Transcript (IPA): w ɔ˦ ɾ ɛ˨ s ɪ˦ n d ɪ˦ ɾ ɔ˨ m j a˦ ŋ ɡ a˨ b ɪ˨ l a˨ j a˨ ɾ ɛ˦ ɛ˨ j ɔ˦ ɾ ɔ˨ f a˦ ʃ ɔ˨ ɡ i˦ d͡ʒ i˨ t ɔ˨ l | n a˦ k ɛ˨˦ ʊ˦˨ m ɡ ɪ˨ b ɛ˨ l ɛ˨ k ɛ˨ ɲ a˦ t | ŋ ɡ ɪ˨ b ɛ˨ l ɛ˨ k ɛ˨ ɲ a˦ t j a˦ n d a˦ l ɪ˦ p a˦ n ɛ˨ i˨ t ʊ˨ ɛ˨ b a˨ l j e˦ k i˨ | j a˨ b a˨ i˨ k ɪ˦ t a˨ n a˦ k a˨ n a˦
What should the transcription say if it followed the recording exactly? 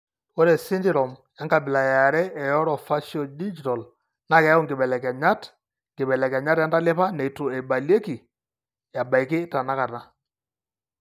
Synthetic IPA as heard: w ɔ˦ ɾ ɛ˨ s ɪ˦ n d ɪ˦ ɾ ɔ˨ m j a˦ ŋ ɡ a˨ b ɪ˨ l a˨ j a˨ ɾ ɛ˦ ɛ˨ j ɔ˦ ɾ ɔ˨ f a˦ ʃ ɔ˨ d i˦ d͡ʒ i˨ t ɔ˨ l | n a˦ k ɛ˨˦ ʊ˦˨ ŋ ɡ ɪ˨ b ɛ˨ l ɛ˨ k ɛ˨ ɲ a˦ t | ŋ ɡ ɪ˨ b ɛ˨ l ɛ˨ k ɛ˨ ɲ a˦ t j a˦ n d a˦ l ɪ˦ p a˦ n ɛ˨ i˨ t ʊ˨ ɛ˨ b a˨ l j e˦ k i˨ | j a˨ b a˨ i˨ k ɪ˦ t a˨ n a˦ k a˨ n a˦